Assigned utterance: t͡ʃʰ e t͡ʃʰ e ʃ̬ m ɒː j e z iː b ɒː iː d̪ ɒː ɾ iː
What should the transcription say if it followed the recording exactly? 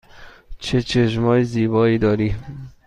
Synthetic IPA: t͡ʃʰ e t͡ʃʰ e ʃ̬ m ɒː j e z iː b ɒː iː d̪ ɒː ɾ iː